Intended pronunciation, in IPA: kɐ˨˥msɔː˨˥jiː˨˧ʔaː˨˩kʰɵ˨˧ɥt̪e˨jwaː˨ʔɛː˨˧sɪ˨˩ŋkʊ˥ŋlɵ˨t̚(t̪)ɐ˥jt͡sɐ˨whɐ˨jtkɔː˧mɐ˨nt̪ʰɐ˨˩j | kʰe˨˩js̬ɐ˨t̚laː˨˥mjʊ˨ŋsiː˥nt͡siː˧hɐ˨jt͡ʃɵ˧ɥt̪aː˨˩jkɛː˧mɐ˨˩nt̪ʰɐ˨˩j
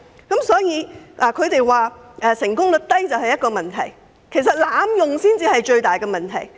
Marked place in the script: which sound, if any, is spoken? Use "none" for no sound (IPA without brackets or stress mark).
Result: t̪